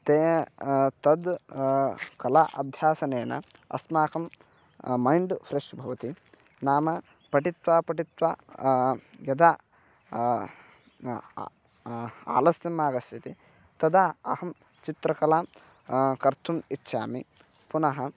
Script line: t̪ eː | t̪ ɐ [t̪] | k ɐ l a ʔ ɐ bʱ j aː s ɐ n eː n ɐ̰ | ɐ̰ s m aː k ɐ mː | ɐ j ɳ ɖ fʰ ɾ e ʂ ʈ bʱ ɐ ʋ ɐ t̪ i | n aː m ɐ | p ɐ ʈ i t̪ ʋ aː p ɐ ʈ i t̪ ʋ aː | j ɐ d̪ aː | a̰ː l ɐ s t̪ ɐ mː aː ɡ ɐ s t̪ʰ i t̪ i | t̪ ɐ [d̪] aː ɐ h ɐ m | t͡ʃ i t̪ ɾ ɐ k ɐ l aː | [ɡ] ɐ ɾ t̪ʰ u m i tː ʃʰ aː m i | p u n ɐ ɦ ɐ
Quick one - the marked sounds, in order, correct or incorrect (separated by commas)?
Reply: incorrect, correct, incorrect